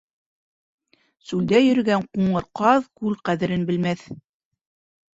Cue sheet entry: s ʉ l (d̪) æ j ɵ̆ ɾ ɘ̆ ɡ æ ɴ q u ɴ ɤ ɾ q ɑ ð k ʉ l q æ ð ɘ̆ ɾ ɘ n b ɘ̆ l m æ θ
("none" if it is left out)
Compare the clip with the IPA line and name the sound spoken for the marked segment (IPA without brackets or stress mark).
d̪